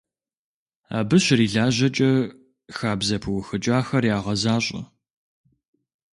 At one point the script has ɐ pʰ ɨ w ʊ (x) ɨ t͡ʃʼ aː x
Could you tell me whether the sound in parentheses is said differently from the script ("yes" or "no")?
no